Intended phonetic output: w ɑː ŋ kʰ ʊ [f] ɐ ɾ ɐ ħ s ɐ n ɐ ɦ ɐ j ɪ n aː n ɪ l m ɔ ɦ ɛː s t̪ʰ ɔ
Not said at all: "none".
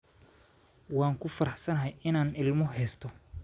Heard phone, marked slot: f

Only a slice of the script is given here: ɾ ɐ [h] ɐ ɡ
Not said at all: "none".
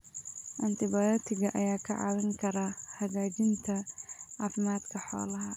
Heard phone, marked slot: h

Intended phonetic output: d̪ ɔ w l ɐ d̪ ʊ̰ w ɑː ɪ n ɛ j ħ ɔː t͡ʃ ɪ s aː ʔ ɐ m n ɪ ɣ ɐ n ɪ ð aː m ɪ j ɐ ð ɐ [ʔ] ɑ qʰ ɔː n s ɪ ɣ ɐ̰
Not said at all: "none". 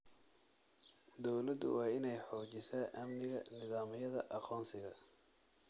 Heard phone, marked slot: ʔ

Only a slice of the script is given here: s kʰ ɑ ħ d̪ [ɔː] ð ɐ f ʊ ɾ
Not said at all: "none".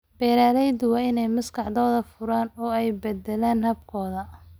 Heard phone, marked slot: ɔː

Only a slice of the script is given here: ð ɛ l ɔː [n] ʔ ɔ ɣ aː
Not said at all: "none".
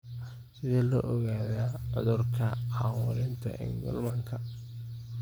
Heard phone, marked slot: none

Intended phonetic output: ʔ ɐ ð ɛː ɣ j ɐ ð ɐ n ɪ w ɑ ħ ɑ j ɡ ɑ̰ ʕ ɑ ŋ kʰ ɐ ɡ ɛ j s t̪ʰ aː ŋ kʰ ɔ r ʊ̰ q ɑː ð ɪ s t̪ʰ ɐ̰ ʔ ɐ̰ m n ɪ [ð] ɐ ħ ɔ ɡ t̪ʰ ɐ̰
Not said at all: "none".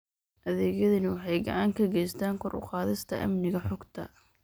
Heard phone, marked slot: ɣ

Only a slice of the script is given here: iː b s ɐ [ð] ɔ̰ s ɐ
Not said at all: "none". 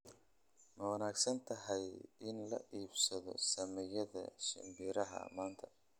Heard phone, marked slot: ð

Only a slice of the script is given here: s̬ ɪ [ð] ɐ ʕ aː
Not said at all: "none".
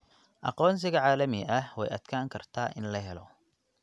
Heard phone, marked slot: ɣ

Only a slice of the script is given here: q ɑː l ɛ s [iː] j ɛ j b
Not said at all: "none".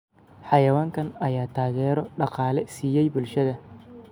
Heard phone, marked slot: iː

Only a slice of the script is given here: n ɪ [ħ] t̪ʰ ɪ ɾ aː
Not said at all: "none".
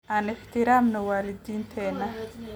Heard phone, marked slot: ħ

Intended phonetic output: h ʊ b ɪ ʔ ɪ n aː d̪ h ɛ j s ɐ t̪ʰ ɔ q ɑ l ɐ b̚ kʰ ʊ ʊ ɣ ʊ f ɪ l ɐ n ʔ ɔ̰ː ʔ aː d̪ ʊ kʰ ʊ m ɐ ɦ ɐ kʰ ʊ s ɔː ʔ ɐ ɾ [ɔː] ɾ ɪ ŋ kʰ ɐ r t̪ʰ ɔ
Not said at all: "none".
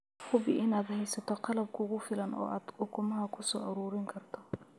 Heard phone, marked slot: uː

